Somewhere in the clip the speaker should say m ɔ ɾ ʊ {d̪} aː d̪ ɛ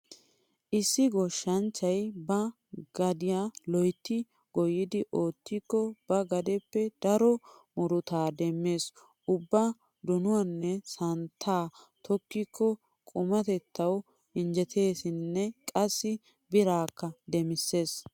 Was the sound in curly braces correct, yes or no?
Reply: no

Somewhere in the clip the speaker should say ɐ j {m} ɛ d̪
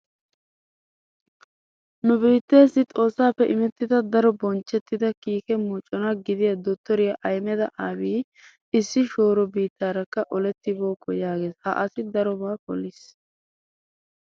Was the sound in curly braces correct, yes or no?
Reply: yes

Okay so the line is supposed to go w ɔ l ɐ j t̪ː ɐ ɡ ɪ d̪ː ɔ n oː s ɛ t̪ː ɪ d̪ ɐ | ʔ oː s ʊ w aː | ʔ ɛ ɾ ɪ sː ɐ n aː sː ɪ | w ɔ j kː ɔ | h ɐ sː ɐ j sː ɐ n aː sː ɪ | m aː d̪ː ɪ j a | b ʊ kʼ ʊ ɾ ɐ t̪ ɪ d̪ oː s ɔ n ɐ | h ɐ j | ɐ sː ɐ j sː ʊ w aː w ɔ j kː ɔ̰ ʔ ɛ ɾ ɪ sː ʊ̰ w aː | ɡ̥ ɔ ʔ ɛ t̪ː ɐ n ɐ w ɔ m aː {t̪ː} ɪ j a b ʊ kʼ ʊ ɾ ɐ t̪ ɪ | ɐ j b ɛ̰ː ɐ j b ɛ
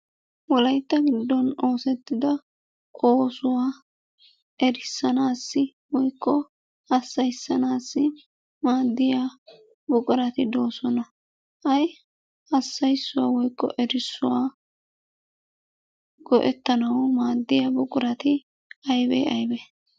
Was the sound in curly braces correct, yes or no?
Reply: no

